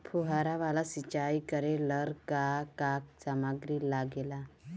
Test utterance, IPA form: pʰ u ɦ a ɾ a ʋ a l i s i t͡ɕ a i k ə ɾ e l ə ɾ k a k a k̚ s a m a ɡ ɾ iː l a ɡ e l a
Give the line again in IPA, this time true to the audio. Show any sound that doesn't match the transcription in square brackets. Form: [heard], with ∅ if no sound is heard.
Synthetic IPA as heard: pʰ u ɦ a ɾ a ʋ a l [a] s i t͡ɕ a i k ə ɾ e l ə ɾ k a k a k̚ s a m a ɡ ɾ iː l a ɡ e l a

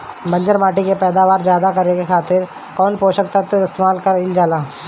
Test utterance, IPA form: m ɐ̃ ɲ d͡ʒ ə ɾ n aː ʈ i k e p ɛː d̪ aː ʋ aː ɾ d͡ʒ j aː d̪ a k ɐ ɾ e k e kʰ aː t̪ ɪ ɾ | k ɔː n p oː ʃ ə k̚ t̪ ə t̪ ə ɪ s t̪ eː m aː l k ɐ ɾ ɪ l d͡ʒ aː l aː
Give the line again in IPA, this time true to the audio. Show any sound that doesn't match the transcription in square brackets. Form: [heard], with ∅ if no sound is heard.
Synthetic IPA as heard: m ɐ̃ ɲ d͡ʒ ə ɾ [m] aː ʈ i k e p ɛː d̪ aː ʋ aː ɾ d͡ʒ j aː d̪ a k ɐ ɾ e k e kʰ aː t̪ ɪ ɾ | k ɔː n p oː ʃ ə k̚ t̪ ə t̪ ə ɪ s t̪ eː m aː l k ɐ ɾ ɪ l d͡ʒ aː l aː

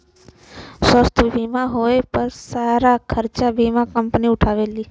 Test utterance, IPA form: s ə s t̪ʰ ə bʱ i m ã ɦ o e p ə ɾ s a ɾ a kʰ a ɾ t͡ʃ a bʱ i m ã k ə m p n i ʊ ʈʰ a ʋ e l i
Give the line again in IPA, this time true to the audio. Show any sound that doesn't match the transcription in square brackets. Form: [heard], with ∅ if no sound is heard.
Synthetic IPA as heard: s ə s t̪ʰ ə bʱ i m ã ɦ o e p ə ɾ s a ɾ a kʰ [ə] ɾ t͡ʃ a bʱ i m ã k ə m p n i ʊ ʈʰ a ʋ e l i

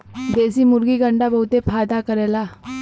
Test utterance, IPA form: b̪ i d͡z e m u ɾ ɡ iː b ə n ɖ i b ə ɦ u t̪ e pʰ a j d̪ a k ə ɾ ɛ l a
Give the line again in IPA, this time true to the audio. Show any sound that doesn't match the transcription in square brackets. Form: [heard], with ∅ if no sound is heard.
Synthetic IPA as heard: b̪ [e] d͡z [i] m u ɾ ɡ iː [ɡ] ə [ɳ] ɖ [a] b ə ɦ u t̪ e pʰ a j d̪ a k ə ɾ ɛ l a

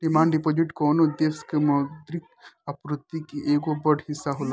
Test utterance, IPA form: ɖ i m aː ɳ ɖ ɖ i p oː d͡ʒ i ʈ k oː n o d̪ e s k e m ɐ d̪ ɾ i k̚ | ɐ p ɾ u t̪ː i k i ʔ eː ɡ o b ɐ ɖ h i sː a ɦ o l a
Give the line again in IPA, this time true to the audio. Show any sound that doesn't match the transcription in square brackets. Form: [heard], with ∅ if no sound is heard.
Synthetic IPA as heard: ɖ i m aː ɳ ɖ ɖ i p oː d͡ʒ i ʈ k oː n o d̪ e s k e m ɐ d̪ ɾ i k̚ | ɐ p ɾ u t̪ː i k i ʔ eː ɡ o b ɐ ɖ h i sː a ɦ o l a

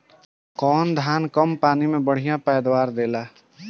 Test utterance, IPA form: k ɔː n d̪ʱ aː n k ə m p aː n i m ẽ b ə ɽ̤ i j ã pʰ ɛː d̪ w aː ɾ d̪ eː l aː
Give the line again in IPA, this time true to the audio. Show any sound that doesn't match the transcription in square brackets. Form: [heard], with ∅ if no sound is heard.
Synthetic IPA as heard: k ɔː n d̪ʱ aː n k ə m p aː n i m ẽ b ə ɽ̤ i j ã [p] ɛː d̪ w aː ɾ d̪ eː l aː

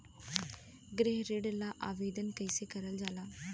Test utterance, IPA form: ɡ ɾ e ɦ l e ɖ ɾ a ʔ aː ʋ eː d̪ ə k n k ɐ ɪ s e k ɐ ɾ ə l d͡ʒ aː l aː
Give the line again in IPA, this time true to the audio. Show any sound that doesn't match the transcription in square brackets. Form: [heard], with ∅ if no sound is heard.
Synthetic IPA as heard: ɡ ɾ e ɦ [ɾ] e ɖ [l] a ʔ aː ʋ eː d̪ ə [∅] n k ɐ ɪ s e k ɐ ɾ ə l d͡ʒ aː l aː

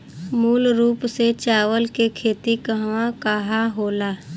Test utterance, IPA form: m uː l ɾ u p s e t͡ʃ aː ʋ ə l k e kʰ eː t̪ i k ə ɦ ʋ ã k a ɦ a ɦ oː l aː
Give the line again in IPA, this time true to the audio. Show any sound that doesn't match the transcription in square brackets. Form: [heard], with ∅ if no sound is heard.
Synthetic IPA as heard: m uː l ɾ [uː] p s e t͡ʃ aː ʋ ə l k e kʰ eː t̪ i k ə ɦ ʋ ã k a ɦ a ɦ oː l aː

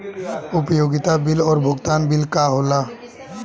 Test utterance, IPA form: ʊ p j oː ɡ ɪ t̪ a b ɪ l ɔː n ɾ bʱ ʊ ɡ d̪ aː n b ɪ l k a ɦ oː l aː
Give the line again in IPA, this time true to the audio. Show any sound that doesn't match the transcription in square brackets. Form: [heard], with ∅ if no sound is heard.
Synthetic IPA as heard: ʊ p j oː ɡ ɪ t̪ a b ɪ l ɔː [∅] ɾ bʱ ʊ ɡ [t̪] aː n b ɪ l k a ɦ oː l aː

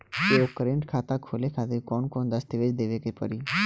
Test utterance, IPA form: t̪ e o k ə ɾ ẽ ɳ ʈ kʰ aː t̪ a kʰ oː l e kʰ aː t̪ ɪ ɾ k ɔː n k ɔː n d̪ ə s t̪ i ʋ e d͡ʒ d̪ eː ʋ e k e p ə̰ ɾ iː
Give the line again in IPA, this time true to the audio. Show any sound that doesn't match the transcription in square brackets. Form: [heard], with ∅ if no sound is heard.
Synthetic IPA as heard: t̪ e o k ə ɾ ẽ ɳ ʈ kʰ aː t̪ a kʰ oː l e kʰ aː t̪ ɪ ɾ k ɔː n k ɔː n d̪ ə s t̪ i ʋ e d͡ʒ d̪ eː ʋ e k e p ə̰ ɾ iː

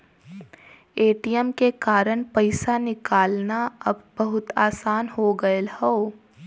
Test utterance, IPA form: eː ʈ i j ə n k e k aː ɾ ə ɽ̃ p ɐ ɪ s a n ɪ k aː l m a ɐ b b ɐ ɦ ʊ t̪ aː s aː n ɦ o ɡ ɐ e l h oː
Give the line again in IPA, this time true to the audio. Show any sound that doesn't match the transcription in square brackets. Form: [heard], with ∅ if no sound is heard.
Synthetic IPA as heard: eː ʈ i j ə [m] k e k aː ɾ ə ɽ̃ p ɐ ɪ s a n ɪ k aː l [n] a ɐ b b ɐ ɦ ʊ t̪ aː s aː n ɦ o ɡ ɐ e l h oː

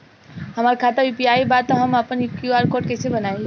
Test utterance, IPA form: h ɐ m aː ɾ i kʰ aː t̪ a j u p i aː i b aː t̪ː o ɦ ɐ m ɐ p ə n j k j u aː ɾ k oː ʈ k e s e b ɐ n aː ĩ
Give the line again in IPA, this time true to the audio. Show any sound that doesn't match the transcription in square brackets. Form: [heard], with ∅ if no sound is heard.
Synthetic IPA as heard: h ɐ m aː ɾ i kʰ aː t̪ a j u p i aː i b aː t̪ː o ɦ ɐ m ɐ p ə n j k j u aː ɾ k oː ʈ k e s e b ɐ n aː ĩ

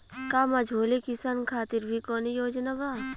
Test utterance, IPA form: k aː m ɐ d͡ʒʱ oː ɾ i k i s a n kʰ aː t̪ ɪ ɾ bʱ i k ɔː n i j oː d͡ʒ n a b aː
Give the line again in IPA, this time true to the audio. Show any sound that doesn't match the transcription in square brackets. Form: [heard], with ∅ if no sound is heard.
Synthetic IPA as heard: k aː m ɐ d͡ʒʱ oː [l] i k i s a n kʰ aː t̪ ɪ ɾ bʱ i k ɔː n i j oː d͡ʒ n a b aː

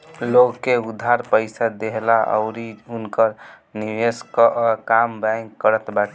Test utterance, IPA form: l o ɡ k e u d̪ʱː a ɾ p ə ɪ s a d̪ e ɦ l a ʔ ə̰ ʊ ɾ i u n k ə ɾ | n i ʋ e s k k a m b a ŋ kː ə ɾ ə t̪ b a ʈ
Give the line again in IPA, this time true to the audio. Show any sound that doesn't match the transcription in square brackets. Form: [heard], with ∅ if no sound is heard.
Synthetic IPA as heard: l o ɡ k e u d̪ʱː a ɾ p ə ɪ s a d̪ e ɦ l a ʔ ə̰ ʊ ɾ i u n k ə ɾ | n i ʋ e s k k a m b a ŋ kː ə ɾ ə t̪ b a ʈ

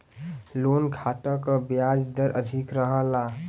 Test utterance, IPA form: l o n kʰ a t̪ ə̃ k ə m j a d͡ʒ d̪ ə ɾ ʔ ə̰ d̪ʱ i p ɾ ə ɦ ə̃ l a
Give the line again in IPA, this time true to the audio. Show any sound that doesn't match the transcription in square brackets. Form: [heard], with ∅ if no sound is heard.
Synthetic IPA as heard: l o n kʰ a t̪ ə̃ k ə [b] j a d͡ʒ d̪ ə ɾ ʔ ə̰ d̪ʱ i [k] ɾ ə ɦ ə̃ l a

